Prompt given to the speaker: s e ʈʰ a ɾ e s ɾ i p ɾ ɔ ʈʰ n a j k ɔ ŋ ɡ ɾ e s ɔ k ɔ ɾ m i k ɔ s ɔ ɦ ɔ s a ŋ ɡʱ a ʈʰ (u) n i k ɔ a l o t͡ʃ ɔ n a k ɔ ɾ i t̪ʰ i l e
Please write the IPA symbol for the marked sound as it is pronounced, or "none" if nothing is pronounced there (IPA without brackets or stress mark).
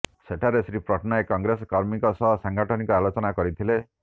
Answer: ɔ